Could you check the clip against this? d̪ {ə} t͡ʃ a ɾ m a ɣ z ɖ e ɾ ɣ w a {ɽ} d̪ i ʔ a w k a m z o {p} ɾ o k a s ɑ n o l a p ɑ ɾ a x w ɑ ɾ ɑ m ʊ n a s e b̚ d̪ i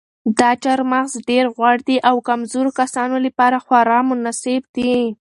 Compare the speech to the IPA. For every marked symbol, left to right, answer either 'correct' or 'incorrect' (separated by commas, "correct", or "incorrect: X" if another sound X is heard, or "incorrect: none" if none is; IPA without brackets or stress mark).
incorrect: ɑ, correct, incorrect: none